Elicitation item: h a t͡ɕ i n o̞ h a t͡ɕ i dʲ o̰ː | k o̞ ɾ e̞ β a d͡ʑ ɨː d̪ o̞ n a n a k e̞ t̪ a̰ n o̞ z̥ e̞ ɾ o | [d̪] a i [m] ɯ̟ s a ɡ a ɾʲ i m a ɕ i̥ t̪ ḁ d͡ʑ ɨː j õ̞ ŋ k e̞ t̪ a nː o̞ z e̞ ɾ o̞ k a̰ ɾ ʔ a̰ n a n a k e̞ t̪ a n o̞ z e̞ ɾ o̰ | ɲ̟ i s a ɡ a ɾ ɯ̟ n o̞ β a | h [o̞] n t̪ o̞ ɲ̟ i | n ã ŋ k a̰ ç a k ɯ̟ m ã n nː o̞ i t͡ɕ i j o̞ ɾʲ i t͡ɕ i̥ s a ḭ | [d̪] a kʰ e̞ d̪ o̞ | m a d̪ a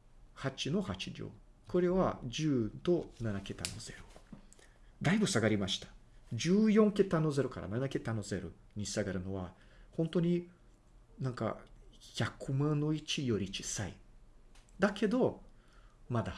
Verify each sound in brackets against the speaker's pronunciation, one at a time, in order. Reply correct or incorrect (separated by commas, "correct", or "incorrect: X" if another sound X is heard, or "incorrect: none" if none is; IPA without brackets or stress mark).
correct, incorrect: b, incorrect: õ̞, correct